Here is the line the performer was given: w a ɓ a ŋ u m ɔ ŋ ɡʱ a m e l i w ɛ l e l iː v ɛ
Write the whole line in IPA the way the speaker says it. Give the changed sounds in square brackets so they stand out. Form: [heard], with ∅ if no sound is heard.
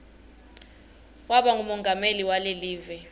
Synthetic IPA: w a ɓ a ŋ u m ɔ ŋ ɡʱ a m e l i w [a] l e l iː v ɛ